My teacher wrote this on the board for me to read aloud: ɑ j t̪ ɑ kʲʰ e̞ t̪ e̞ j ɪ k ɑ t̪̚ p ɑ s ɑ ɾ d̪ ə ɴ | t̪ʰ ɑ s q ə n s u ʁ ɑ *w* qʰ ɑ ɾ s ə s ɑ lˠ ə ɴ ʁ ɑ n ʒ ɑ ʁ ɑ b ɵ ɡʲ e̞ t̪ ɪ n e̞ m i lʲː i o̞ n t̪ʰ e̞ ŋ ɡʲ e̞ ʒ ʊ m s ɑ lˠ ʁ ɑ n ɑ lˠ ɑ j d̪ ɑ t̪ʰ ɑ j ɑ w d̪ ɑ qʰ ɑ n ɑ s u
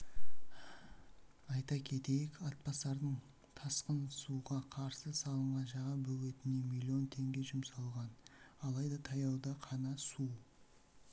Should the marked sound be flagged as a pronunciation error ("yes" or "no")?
yes